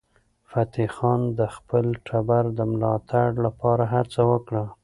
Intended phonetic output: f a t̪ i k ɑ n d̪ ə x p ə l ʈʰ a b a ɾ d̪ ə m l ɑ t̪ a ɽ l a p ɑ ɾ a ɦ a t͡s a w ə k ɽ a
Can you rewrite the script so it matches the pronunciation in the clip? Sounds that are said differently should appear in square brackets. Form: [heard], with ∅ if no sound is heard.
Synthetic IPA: f a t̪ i [x] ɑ n d̪ ə x p ə l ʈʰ a b a ɾ d̪ ə m l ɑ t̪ a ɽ l a p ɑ ɾ a ɦ a t͡s a w ə k ɽ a